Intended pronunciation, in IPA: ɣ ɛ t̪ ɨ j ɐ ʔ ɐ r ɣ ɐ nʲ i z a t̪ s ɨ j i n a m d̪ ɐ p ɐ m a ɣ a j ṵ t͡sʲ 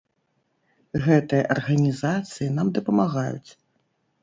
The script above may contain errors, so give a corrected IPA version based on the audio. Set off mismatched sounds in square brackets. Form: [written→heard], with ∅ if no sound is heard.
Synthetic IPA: ɣ ɛ t̪ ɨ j ɐ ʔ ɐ r ɣ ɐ nʲ i z a t̪ s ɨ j i n a m d̪ ɐ p ɐ m a ɣ a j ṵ t͡sʲ